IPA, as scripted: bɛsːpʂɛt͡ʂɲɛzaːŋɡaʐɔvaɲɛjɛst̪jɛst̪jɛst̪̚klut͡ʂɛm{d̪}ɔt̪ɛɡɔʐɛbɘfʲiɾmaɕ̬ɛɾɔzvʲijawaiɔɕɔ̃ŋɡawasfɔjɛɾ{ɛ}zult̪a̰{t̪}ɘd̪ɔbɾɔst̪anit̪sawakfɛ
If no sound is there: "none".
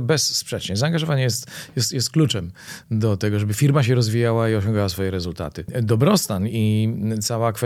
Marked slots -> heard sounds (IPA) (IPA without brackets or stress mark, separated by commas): d̪, ɛ, t̪